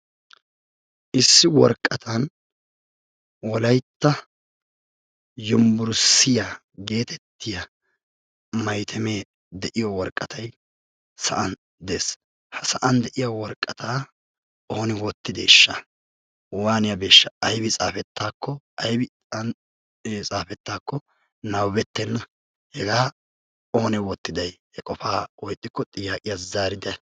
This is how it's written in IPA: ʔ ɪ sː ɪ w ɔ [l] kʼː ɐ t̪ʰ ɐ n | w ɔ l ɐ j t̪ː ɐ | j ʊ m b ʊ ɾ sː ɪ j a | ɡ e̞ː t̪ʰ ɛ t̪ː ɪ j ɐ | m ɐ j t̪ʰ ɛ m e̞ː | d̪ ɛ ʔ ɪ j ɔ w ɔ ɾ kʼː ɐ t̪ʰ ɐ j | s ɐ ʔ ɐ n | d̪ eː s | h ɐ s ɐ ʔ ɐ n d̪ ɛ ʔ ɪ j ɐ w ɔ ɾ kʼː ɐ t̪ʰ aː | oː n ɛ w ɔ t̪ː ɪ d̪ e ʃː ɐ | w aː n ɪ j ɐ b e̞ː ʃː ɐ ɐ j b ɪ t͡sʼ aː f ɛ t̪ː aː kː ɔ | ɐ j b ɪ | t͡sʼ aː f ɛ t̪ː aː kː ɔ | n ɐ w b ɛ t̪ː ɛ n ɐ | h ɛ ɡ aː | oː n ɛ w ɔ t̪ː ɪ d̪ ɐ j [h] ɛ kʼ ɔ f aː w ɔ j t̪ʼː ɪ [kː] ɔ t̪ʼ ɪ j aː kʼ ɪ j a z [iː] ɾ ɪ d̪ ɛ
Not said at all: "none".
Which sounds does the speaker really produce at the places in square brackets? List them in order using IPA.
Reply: ɾ, h, kː, aː

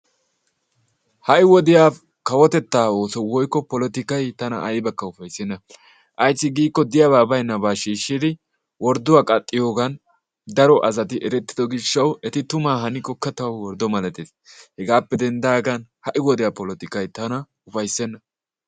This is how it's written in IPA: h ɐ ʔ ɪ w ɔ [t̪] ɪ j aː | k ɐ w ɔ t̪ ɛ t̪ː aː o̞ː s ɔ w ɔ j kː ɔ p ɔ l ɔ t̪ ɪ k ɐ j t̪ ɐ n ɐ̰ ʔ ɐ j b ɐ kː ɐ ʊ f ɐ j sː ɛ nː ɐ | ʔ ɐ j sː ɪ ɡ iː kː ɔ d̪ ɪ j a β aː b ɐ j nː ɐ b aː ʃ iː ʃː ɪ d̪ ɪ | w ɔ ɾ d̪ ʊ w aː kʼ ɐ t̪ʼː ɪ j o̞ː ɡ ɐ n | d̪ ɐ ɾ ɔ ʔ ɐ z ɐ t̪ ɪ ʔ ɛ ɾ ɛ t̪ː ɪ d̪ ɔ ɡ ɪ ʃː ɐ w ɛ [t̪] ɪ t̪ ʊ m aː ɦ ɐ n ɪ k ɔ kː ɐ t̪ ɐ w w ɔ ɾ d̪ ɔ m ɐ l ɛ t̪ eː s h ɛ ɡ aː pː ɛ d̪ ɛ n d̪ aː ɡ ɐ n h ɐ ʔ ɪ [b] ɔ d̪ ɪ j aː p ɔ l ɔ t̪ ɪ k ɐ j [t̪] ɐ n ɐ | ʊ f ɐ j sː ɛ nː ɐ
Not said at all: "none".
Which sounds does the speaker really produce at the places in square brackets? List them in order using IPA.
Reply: d̪, t̪, w, t̪

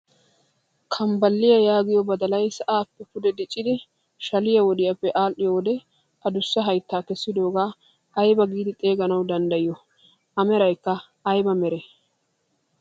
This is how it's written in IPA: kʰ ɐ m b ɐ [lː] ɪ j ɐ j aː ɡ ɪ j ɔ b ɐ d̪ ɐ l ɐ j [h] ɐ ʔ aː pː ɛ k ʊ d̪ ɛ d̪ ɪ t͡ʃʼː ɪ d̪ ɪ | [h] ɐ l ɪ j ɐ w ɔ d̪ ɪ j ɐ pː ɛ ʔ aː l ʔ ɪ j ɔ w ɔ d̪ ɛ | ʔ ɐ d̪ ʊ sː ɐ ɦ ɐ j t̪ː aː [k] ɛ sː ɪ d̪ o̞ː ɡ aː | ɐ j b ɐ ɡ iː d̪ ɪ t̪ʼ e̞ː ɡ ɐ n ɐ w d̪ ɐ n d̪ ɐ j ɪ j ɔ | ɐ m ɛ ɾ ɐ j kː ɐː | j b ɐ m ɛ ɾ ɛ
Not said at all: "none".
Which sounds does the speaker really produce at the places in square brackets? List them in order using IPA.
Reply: lː, s, ʃ, k

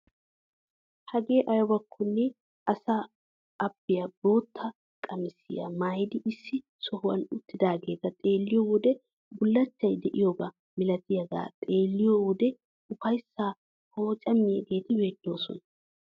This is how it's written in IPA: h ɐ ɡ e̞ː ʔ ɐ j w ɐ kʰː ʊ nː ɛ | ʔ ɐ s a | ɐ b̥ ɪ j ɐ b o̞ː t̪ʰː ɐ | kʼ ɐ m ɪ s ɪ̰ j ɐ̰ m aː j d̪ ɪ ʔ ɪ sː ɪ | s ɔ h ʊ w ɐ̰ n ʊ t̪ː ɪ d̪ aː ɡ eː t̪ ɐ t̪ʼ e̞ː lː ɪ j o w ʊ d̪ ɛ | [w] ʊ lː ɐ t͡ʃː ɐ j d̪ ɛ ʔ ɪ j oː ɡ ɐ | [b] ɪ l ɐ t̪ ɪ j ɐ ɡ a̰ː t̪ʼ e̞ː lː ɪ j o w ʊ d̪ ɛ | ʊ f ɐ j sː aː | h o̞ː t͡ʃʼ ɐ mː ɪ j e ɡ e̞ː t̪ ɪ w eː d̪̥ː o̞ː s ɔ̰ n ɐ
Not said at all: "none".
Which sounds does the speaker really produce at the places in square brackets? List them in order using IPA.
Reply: b, m

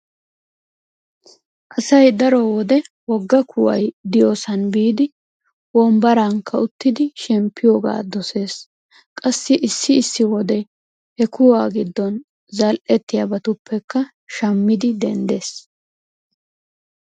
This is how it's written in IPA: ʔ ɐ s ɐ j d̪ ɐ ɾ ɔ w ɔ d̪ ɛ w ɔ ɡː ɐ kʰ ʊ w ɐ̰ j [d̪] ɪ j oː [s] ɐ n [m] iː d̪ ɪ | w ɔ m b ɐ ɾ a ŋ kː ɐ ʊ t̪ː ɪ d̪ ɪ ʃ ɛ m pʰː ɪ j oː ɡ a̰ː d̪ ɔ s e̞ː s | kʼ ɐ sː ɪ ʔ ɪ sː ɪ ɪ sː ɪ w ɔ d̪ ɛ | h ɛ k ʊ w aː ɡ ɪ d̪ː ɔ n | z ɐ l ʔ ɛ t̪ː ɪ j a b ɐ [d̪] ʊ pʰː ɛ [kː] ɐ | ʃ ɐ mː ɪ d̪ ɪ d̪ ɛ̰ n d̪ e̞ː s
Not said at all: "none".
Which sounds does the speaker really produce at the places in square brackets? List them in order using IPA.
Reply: d̪, s, b, t̪, kː

